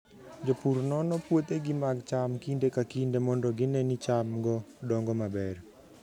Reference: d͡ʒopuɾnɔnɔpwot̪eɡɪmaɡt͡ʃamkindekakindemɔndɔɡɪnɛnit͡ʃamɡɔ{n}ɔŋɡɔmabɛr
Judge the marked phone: incorrect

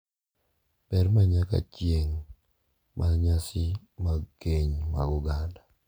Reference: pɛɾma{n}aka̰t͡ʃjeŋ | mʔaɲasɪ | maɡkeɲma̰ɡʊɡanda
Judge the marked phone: incorrect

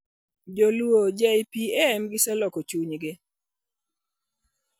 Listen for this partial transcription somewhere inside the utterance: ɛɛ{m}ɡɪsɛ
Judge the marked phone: correct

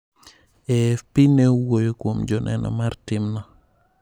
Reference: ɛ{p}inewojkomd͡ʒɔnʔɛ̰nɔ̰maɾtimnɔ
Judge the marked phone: correct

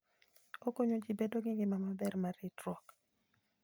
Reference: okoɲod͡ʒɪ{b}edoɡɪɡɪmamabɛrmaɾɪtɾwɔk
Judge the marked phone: correct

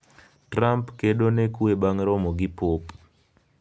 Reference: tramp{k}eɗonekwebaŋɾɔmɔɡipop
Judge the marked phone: correct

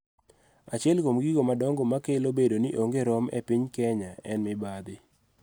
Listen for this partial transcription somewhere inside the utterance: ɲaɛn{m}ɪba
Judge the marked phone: correct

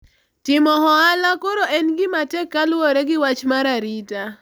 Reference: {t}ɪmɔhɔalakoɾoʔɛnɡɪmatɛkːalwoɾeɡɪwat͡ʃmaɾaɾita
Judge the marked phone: correct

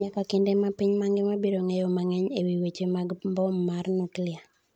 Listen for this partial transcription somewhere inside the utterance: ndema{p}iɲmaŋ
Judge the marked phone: correct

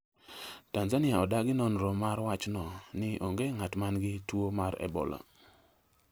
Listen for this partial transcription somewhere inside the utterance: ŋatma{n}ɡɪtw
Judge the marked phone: correct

